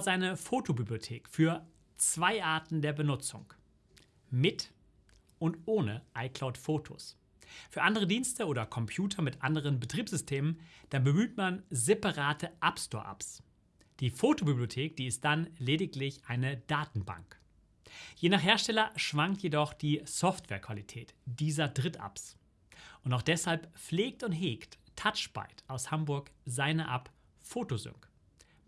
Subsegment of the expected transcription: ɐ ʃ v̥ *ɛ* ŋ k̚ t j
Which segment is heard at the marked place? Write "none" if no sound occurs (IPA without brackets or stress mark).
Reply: a